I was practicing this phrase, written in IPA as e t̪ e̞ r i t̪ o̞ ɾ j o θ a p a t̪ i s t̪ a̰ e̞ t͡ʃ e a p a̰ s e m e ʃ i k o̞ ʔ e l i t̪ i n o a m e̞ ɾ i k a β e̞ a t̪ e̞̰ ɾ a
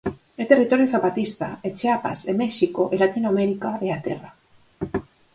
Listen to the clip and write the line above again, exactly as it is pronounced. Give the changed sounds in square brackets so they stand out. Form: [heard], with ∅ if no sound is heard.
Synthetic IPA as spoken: e t̪ e̞ r i t̪ o̞ ɾ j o θ a p a t̪ i s t̪ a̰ e̞ t͡ʃ e a p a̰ s e m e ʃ i k o̞ ʔ e l [a] t̪ i n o a m e̞ ɾ i k a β e̞ a t̪ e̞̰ [r] a